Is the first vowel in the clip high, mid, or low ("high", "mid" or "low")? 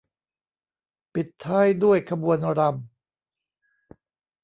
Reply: high